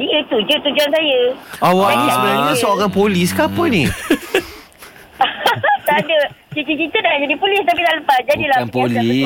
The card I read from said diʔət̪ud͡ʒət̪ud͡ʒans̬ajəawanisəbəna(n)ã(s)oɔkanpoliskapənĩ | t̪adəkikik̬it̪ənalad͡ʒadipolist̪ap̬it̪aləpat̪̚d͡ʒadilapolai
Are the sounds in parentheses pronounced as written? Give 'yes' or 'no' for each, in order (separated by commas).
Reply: no, yes